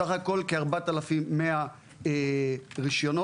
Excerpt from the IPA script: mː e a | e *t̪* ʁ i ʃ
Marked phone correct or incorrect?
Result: incorrect